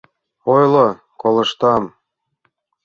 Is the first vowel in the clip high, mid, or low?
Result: mid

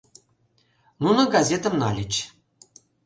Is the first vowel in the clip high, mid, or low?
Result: high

